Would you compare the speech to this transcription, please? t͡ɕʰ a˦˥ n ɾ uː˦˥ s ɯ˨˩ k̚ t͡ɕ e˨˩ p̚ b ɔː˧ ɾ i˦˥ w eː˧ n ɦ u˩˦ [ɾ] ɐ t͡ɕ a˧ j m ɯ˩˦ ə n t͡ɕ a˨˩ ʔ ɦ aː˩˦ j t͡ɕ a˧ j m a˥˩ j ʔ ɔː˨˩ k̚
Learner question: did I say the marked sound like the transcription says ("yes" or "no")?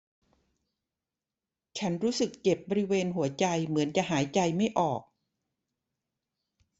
no